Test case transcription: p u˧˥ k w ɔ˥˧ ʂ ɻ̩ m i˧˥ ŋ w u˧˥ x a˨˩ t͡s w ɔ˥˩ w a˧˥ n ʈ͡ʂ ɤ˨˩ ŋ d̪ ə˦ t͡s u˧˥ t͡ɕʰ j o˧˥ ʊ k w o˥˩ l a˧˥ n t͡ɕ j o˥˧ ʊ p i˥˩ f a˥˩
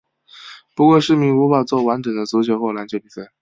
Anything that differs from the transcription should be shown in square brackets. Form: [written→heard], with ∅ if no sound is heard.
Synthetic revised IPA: p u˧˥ k w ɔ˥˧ ʂ ɻ̩ m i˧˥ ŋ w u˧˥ [x→f] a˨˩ t͡s w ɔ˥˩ w a˧˥ n ʈ͡ʂ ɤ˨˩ ŋ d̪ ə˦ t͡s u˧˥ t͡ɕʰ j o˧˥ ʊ [k→x] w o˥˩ l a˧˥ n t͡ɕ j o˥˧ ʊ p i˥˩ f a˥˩